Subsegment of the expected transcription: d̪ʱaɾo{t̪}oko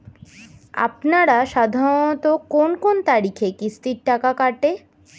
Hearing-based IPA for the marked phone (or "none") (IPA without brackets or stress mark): t̪